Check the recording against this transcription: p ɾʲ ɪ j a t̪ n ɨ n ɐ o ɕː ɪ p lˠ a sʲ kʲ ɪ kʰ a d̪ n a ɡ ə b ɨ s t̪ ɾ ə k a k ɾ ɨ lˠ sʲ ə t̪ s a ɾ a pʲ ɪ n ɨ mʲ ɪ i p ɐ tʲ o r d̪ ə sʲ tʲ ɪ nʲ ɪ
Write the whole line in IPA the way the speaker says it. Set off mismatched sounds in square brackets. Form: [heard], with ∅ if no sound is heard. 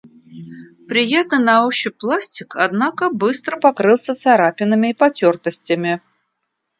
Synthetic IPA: p ɾʲ ɪ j a t̪ n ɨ n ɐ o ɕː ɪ p lˠ a sʲ [tʲ] ɪ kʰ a d̪ n a [k] ə b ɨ s t̪ ɾ ə [p] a k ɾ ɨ lˠ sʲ ə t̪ s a ɾ a pʲ ɪ n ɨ mʲ ɪ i p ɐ tʲ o r [t̪] ə sʲ tʲ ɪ [mʲ] ɪ